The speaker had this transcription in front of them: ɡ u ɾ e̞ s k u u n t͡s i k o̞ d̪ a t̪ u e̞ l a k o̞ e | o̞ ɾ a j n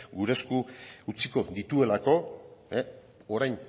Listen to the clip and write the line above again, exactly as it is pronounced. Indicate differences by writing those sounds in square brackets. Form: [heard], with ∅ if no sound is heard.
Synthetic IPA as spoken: ɡ u ɾ e̞ s k u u [∅] t͡s i k o̞ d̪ [i] t̪ u e̞ l a k o̞ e | o̞ ɾ a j n